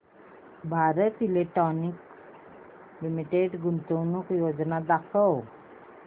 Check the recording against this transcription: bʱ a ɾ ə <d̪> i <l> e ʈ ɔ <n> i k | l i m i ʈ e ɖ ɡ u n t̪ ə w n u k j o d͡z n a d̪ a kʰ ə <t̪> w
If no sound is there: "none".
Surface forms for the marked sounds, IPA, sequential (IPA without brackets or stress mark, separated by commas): t̪, l, n, none